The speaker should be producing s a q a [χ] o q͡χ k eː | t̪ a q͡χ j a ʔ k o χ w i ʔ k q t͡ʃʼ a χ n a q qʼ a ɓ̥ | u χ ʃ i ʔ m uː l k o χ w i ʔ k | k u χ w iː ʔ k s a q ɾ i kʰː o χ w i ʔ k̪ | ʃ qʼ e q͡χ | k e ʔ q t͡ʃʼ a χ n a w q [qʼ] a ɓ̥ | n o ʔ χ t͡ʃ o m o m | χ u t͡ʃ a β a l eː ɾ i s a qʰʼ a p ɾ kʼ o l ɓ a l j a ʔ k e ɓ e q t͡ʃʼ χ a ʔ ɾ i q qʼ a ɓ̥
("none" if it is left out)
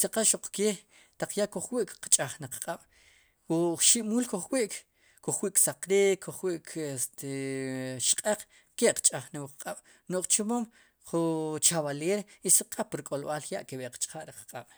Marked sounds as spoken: ʃ, qʼ

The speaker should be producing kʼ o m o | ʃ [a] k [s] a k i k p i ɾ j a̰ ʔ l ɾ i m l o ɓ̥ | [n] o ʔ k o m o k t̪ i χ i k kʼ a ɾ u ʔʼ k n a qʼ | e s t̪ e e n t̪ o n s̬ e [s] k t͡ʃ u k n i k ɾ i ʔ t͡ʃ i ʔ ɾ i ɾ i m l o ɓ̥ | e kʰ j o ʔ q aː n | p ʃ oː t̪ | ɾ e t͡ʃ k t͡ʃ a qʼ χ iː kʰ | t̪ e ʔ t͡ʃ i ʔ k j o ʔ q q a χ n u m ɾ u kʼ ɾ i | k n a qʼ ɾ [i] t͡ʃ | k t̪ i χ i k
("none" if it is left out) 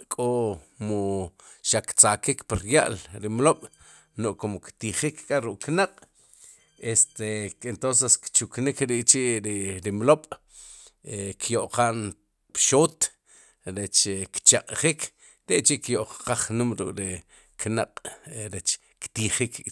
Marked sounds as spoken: a, t͡s, n, s, e

